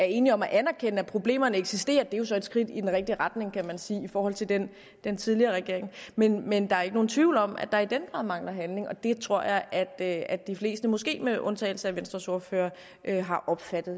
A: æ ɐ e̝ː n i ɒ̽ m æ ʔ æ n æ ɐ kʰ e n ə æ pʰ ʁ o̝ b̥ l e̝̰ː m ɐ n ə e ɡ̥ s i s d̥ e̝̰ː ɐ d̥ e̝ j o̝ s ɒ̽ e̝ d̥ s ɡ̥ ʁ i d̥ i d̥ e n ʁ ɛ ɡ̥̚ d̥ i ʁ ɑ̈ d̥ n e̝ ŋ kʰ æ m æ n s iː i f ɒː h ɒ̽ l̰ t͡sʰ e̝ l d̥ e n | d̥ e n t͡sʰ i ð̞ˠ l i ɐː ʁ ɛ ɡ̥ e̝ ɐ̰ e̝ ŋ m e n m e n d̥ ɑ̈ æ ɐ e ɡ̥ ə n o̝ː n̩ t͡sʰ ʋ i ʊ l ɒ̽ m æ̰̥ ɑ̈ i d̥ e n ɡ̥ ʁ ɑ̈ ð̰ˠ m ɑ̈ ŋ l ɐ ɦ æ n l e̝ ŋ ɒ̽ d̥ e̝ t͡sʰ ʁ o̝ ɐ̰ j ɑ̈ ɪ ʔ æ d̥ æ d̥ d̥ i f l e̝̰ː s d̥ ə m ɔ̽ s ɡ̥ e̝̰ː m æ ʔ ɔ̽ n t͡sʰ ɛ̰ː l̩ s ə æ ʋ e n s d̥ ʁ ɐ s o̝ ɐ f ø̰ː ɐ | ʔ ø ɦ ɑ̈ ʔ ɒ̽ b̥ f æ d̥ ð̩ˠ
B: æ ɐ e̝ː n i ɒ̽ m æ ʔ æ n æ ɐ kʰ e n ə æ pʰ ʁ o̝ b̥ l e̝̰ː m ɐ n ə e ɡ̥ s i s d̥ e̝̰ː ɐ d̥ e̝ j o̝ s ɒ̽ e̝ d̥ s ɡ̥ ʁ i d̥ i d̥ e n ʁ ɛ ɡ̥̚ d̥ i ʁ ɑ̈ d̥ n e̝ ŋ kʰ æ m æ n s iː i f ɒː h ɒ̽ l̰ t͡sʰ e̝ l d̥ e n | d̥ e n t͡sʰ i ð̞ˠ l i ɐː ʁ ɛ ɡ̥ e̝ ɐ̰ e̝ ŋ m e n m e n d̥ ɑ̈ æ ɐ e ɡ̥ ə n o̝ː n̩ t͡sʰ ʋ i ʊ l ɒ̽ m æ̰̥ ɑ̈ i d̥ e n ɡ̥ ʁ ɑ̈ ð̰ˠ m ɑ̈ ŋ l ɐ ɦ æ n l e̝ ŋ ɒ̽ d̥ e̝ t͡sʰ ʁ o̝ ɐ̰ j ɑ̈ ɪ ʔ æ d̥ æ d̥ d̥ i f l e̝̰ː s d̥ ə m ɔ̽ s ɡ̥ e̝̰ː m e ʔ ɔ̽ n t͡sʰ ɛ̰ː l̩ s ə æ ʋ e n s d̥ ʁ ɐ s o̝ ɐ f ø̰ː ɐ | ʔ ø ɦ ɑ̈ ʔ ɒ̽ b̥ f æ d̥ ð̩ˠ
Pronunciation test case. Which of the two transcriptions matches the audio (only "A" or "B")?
B